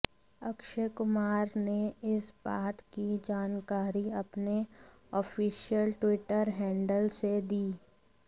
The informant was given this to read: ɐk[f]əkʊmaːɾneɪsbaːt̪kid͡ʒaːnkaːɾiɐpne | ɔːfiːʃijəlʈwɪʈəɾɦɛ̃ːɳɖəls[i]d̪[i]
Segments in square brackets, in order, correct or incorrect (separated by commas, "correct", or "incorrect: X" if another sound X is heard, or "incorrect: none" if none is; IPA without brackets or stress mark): incorrect: ʃ, incorrect: e, incorrect: iː